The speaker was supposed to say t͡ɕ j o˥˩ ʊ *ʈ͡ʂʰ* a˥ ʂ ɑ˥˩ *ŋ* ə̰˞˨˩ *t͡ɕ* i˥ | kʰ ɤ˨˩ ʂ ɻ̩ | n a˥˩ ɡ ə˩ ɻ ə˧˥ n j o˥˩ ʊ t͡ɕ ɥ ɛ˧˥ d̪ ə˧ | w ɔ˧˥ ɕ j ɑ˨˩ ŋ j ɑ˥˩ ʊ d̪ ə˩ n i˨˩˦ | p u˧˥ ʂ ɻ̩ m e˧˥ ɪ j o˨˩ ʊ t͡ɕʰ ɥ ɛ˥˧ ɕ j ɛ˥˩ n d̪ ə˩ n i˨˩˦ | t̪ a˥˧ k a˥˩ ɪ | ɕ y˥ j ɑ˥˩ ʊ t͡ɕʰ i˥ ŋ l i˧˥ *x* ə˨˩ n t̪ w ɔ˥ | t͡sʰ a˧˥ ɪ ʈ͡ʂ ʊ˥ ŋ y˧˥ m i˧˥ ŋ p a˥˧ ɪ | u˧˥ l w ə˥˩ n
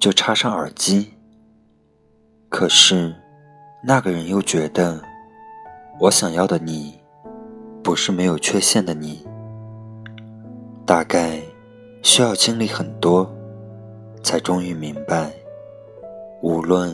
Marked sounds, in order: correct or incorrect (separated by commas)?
correct, correct, correct, correct